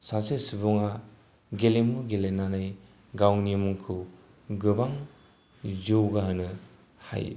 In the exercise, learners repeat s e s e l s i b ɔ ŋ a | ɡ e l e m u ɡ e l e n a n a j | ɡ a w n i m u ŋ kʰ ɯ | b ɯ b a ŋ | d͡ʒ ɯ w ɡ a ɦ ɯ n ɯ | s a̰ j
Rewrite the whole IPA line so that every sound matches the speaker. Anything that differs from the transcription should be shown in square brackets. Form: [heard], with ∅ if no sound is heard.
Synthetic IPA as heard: s [a] s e [∅] s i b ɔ ŋ a | ɡ e l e m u ɡ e l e n a n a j | ɡ a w n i m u ŋ kʰ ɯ | [ɡ] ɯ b a ŋ | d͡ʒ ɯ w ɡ a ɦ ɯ n ɯ | [h] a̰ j